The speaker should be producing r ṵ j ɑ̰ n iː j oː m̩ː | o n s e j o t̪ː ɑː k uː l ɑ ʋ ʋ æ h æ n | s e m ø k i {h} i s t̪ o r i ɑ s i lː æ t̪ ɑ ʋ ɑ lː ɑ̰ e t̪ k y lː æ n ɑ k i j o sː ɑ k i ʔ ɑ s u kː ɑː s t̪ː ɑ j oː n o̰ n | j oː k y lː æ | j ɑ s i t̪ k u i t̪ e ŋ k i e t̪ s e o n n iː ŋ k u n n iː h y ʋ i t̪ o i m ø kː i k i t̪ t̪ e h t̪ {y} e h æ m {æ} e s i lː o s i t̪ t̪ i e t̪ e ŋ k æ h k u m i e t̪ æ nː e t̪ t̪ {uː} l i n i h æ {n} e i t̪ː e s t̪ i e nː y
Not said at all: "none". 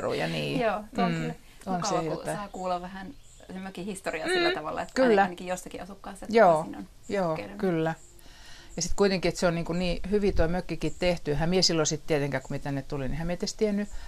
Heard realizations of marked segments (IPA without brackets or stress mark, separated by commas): h, y, i, u, m